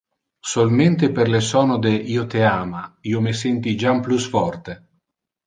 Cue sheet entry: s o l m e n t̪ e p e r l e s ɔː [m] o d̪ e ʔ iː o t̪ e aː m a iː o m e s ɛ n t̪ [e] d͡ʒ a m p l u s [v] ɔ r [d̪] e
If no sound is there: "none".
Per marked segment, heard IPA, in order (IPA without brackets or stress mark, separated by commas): n, i, f, t̪